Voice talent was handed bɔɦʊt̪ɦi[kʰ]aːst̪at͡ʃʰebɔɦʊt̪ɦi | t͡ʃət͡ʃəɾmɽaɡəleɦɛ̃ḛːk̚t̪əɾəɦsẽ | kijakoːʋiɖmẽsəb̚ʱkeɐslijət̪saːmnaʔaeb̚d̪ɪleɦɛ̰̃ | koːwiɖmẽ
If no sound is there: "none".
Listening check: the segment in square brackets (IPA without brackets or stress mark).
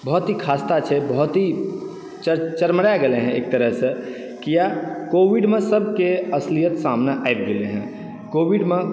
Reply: kʰ